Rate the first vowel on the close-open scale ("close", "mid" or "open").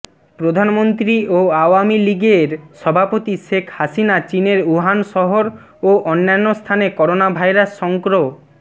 mid